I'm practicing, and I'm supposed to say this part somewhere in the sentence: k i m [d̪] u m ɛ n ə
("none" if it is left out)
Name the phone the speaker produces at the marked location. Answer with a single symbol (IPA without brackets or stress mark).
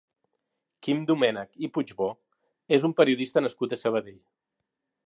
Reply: d̪